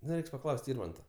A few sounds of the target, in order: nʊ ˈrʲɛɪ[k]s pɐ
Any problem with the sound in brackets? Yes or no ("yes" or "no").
no